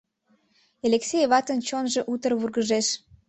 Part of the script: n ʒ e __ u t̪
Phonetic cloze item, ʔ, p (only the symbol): ʔ